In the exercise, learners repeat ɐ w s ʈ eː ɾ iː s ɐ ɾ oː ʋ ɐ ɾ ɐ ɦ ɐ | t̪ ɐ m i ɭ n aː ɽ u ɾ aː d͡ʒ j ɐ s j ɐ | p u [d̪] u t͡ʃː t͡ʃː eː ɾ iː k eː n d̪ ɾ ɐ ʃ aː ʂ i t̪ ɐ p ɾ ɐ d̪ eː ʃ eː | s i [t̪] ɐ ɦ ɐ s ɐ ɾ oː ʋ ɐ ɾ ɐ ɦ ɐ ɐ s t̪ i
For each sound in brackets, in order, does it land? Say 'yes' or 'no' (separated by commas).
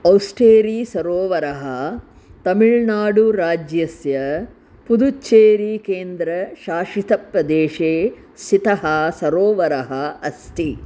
yes, yes